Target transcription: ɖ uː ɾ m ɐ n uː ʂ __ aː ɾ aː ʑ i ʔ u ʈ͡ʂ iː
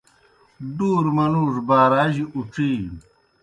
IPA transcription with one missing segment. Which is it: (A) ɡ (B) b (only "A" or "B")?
B